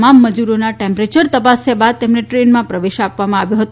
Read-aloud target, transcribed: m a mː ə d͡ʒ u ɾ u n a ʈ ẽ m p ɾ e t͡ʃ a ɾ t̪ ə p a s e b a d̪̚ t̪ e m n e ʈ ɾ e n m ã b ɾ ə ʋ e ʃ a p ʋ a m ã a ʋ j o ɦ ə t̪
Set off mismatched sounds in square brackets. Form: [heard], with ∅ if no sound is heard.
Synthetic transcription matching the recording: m a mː ə d͡ʒ u ɾ [o] n a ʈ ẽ m p ɾ e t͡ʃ [ə] ɾ t̪ ə p a s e b a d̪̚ t̪ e m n e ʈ ɾ e n m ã [p] ɾ ə ʋ e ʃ a p ʋ a m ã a ʋ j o ɦ ə t̪